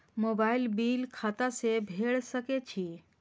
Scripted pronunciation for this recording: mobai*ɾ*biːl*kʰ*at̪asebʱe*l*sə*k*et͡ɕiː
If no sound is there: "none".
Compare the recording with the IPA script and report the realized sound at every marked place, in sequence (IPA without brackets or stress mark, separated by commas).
l, kʰ, ɭ, k